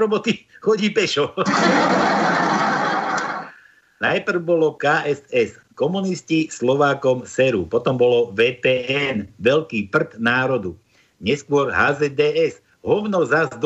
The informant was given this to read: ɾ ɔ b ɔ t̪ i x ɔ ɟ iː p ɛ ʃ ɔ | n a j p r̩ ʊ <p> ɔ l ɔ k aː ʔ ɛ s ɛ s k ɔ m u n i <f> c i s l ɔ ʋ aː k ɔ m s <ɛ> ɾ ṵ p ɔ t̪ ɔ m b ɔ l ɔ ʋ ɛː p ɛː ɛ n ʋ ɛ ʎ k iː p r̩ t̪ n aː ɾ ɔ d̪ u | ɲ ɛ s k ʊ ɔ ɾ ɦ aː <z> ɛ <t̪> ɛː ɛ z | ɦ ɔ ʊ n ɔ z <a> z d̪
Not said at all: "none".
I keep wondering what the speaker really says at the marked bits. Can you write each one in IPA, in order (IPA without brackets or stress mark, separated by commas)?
b, s, ɛ, z, d̪, a